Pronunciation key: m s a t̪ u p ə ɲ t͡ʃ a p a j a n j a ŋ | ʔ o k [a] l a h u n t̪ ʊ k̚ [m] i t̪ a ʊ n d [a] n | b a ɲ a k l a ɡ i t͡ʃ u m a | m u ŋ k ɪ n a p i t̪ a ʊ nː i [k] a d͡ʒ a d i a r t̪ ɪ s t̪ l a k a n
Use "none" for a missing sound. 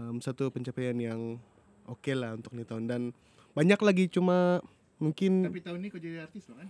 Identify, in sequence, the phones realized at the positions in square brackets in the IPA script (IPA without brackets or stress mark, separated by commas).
e, n, a, k